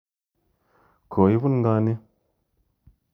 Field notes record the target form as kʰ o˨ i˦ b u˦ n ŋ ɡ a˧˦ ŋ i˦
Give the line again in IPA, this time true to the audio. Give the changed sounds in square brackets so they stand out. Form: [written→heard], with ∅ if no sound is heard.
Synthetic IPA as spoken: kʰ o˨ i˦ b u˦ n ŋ ɡ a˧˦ [ŋ→n] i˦